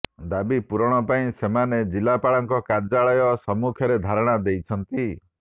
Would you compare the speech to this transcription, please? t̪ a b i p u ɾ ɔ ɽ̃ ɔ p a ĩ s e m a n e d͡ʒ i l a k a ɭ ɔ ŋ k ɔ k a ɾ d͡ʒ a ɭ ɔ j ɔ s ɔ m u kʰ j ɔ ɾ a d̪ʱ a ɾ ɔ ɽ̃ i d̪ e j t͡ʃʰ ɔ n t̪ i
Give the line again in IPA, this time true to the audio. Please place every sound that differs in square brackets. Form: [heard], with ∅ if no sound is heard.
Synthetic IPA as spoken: [d̪] a b i p u ɾ ɔ ɽ̃ ɔ p a ĩ s e m a n e d͡ʒ i l a [p] a ɭ ɔ ŋ k ɔ k a ɾ d͡ʒ a ɭ ɔ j ɔ s ɔ m u kʰ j ɔ ɾ [e] d̪ʱ a ɾ ɔ ɽ̃ [a] d̪ e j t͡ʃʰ ɔ n t̪ i